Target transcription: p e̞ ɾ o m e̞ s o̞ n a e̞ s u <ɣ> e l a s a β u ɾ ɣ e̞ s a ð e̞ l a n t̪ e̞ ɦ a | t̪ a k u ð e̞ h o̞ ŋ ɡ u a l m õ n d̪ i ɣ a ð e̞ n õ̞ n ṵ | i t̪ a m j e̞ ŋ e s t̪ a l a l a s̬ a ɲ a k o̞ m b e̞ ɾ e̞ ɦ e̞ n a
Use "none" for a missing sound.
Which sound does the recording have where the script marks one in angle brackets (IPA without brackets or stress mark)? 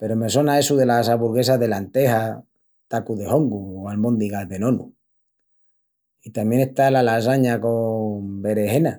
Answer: ð